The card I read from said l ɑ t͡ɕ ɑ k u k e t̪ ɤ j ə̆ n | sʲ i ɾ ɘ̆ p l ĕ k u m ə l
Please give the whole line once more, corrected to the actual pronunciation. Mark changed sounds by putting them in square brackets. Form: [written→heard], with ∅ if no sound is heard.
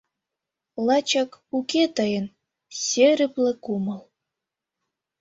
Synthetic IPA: l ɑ t͡ɕ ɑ k u k e t̪ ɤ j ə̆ n | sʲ [i→e] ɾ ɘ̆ p l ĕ k u m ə l